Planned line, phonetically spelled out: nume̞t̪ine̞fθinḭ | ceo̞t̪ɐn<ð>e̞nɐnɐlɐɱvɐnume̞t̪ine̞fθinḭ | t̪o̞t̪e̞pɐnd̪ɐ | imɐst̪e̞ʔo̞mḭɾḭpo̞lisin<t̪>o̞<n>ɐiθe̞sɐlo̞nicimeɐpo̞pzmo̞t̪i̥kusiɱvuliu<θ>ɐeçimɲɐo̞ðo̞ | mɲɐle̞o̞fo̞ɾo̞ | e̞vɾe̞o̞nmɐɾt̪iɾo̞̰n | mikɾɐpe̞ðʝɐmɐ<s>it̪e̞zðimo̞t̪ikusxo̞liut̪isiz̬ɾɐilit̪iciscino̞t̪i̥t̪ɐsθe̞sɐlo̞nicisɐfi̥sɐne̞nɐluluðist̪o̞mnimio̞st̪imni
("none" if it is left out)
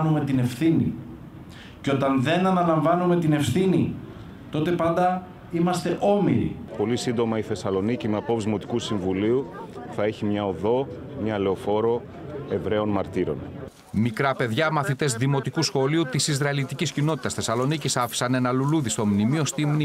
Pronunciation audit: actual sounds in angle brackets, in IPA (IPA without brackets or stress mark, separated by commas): ð, d̪, m, θ, θ